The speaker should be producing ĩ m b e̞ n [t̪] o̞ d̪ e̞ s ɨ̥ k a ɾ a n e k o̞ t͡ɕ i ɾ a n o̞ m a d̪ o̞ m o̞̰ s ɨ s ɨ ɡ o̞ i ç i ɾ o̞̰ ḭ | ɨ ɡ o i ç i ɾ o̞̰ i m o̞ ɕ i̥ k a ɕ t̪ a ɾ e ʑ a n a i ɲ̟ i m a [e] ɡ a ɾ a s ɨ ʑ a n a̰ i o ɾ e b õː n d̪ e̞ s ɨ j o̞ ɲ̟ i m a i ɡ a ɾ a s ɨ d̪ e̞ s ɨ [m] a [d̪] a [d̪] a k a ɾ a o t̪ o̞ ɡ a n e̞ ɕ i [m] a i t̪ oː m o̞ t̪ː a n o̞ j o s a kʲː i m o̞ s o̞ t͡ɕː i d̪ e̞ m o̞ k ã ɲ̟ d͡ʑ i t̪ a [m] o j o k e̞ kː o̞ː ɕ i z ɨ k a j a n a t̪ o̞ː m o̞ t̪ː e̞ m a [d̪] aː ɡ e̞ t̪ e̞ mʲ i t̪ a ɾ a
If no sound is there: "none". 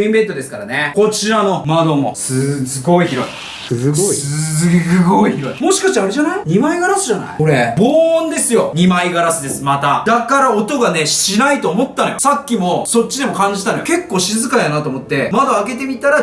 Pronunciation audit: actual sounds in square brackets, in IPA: t̪, i, m, t̪, d̪, n, n, d̪

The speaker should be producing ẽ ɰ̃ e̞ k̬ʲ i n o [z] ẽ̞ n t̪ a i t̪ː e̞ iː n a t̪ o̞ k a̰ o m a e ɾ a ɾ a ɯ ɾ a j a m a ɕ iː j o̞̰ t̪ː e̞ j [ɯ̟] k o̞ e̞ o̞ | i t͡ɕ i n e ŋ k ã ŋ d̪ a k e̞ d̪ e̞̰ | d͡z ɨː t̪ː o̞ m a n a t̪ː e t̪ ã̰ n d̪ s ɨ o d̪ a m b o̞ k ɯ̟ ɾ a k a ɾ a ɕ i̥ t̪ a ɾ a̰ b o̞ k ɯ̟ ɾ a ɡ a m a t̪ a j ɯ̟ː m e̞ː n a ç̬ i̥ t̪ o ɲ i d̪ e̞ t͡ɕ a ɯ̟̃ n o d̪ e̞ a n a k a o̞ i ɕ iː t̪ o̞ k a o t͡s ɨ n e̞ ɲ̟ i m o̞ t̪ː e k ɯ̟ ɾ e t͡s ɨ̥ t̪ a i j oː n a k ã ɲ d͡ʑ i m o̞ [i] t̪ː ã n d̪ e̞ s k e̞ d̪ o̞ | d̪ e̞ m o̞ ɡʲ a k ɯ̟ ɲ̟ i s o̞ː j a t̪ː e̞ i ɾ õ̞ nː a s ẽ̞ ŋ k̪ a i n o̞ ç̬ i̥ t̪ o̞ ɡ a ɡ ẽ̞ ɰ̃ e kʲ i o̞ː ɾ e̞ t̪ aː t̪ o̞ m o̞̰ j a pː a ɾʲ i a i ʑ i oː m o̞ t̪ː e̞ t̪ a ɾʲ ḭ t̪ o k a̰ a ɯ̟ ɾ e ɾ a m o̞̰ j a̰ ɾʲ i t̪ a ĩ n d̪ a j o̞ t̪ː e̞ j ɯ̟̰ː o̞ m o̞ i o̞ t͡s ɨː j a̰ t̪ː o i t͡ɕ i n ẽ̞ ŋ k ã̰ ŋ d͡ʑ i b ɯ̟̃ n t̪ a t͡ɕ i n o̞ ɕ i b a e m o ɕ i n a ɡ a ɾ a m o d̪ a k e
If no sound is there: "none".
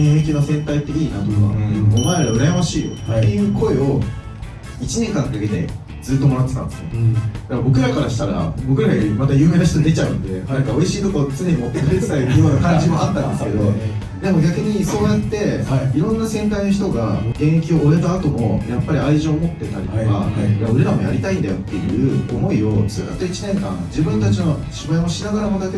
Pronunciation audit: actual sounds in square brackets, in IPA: s, ɯ̟ː, a

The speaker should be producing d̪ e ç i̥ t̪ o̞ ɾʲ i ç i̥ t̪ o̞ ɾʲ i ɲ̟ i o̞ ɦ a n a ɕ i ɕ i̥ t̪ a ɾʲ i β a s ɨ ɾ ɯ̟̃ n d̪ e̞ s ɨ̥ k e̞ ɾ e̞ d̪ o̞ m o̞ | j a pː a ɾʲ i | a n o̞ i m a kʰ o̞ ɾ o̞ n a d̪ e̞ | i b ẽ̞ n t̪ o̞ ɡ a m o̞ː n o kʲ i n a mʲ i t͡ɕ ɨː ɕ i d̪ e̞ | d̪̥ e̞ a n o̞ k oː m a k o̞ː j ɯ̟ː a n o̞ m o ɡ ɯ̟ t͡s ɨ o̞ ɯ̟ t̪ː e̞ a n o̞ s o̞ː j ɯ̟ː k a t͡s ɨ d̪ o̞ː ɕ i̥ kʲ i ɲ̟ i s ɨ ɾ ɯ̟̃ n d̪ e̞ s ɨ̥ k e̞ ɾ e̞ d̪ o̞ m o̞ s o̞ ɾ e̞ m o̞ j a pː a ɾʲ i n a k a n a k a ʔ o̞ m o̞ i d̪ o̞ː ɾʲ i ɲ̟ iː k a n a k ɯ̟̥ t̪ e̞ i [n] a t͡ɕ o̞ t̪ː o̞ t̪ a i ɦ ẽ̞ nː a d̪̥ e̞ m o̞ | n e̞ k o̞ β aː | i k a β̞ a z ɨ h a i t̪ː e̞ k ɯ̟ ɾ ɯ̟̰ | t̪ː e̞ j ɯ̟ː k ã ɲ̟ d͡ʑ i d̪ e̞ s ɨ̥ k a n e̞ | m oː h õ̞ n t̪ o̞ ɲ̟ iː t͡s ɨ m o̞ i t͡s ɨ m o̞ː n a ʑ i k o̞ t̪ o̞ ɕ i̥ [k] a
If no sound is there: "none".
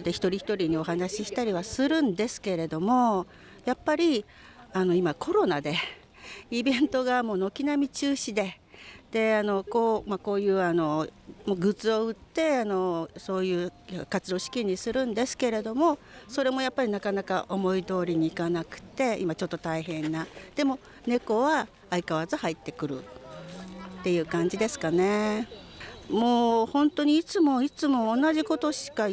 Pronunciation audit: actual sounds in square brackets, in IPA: m, k

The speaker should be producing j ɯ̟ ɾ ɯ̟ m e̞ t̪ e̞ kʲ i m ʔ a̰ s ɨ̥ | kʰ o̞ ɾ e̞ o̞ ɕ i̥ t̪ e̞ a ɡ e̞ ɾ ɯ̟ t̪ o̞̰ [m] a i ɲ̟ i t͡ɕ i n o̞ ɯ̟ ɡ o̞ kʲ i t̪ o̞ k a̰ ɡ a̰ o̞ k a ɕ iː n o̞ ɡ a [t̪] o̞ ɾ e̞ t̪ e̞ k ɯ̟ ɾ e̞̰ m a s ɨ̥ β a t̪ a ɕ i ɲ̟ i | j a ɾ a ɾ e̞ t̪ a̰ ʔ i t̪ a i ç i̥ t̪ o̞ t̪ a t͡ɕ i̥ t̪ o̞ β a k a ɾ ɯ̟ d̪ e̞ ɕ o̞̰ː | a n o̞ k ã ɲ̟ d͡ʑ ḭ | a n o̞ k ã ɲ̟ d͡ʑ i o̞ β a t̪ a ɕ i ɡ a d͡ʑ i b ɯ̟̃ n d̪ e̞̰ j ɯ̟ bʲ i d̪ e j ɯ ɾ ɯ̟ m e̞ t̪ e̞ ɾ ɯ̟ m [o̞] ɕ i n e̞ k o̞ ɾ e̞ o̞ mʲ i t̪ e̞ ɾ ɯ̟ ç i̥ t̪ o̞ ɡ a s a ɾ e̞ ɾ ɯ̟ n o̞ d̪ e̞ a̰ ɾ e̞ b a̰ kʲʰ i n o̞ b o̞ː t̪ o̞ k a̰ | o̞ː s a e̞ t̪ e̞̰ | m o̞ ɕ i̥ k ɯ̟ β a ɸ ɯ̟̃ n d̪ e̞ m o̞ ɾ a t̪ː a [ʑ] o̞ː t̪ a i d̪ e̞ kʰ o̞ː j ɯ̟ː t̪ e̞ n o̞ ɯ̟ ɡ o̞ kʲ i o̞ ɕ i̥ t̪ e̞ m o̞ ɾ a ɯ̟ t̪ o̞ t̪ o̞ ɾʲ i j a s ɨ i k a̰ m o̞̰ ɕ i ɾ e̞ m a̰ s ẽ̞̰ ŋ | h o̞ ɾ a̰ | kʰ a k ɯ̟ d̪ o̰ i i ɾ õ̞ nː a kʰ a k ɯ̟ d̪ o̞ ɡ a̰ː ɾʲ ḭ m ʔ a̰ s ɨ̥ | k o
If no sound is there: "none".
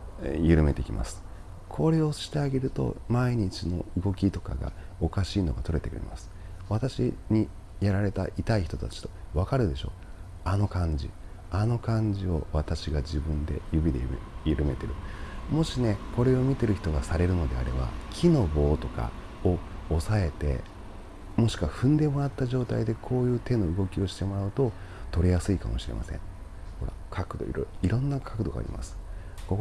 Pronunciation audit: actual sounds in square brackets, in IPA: m, t̪, o̞, ʑ

